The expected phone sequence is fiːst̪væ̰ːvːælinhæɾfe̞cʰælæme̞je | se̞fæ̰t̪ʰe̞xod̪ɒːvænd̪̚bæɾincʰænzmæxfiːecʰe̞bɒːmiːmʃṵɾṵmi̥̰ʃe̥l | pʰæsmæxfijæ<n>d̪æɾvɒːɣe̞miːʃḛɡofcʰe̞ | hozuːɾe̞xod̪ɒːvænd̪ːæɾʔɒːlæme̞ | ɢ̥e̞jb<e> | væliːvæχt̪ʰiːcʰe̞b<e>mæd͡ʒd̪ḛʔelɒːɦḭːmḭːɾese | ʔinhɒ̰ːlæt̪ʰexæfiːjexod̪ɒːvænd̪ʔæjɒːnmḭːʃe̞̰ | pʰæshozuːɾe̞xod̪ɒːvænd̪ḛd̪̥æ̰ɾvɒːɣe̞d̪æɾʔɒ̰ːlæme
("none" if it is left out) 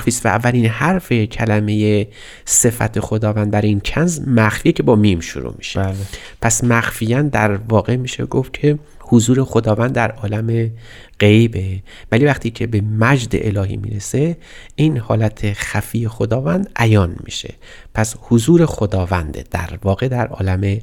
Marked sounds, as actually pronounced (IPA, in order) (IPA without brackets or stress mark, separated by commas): n, e, e